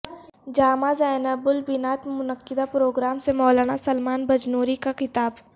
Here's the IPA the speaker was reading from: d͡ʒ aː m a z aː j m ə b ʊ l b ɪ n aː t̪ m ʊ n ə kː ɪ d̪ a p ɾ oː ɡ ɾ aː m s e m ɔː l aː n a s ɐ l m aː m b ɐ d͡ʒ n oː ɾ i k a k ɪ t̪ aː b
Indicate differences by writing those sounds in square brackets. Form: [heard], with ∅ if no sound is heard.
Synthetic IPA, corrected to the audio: d͡ʒ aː m a z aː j [n] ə b ʊ l b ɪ n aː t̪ m ʊ n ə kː ɪ d̪ a p ɾ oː ɡ ɾ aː m s e m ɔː l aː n a s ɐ l m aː [n] b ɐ d͡ʒ n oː ɾ i k a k ɪ t̪ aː b